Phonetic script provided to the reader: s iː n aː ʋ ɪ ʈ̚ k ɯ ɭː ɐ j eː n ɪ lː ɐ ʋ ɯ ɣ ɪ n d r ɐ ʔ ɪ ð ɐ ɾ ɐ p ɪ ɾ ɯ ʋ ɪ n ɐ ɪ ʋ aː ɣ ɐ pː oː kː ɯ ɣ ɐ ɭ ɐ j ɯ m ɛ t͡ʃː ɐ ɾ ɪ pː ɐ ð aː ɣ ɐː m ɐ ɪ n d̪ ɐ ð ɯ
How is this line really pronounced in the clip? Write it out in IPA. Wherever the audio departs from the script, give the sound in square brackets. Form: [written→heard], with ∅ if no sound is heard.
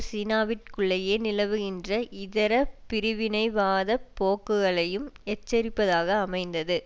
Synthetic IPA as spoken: s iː n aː ʋ ɪ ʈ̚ k ɯ ɭː ɐ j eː n ɪ [lː→l] ɐ ʋ ɯ ɣ ɪ n d r ɐ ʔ ɪ ð ɐ ɾ ɐ p ɪ ɾ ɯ ʋ ɪ n ɐ ɪ ʋ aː [ɣ→ð] ɐ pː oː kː ɯ ɣ ɐ ɭ ɐ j ɯ m ɛ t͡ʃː ɐ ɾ ɪ pː ɐ ð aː ɣ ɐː m ɐ ɪ n d̪ ɐ ð ɯ